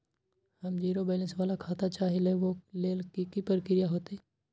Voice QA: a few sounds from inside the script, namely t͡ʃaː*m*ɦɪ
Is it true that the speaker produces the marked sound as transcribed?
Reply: no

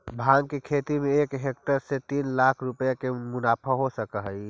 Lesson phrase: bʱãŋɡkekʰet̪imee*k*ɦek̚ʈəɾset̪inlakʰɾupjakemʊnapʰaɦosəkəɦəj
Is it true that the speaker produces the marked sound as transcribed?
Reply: yes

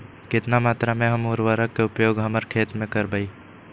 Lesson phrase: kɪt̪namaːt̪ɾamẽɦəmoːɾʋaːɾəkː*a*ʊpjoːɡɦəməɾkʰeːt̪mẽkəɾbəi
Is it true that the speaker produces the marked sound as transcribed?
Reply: no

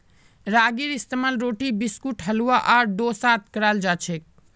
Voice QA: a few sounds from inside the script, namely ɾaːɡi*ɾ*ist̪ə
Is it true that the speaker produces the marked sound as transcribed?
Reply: yes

